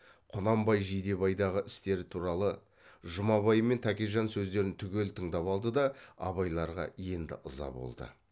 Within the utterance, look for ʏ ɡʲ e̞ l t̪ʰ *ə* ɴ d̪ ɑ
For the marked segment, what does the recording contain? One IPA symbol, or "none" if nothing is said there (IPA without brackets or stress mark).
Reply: ə